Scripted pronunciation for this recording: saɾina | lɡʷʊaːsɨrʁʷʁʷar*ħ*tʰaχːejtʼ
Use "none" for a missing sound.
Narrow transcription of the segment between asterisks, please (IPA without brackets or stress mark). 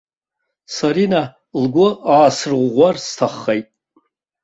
s